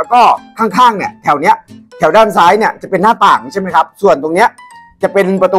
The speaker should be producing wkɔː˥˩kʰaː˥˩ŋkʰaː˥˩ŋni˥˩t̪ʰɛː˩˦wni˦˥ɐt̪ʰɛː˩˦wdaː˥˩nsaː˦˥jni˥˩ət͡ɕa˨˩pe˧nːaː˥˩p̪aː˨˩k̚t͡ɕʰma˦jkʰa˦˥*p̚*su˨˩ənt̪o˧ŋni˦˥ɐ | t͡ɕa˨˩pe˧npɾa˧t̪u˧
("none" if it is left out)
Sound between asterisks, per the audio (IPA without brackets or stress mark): p̚